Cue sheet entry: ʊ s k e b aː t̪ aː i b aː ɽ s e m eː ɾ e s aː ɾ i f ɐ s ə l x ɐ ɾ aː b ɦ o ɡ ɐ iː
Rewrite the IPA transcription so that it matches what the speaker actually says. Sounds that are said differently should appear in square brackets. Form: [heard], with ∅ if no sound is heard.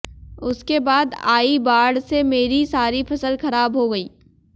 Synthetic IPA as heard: ʊ s k e b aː [d̪] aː i b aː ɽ s e m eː ɾ [i] s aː ɾ i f ɐ s ə l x ɐ ɾ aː b ɦ o ɡ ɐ iː